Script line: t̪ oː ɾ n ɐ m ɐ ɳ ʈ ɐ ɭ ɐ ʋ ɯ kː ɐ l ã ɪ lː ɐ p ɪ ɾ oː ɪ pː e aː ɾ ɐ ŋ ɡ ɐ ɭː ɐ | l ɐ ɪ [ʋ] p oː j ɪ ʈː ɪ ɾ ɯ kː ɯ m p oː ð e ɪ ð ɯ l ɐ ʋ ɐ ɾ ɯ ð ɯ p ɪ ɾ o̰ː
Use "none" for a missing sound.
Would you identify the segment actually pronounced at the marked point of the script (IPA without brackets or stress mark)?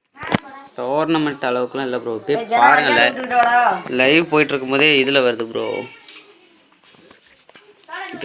ʋ